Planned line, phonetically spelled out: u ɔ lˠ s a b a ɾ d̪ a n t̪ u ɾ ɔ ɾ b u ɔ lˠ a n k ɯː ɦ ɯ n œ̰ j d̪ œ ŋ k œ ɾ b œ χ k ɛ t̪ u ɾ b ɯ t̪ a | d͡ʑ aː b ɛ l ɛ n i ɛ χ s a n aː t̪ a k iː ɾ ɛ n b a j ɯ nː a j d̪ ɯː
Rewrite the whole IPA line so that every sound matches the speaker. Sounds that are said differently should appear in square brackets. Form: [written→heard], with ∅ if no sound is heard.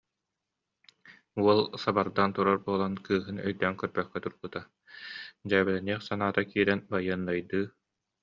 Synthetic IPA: u ɔ lˠ s a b a ɾ d̪ a n t̪ u ɾ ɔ ɾ b u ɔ lˠ a n k ɯː ɦ ɯ n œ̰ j d̪ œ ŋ k œ ɾ b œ χ k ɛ t̪ u ɾ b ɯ t̪ a | d͡ʑ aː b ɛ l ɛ n i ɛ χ s a n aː t̪ a k iː ɾ ɛ n b a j ɯ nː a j d̪ ɯː

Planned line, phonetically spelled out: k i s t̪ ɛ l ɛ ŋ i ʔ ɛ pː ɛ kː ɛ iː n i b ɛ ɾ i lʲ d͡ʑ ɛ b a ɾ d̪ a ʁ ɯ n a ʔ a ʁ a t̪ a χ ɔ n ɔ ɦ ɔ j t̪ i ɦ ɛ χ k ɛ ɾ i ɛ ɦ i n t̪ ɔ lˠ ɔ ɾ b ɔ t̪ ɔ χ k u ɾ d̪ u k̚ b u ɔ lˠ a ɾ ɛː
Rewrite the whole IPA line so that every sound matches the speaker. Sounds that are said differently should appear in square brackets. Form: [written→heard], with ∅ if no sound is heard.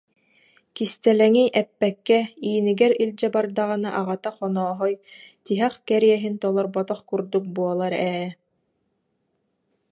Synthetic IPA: k i s t̪ ɛ l ɛ ŋ i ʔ ɛ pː ɛ kː ɛ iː n i [b→ɡ] ɛ ɾ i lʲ d͡ʑ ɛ b a ɾ d̪ a ʁ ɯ n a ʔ a ʁ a t̪ a χ ɔ n [ɔ→ɔː] ɦ ɔ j t̪ i ɦ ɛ χ k ɛ ɾ i ɛ ɦ i n t̪ ɔ lˠ ɔ ɾ b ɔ t̪ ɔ χ k u ɾ d̪ u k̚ b u ɔ lˠ a ɾ ɛː

